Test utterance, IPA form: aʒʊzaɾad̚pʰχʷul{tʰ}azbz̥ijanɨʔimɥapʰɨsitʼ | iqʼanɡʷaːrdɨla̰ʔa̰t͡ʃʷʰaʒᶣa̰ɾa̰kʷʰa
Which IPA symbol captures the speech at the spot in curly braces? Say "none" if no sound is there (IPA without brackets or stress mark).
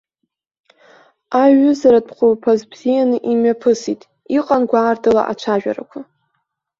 pʰ